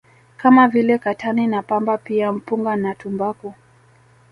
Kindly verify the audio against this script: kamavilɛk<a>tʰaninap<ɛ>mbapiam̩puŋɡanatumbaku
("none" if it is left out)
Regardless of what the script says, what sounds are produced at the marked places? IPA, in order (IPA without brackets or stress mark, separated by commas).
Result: a, a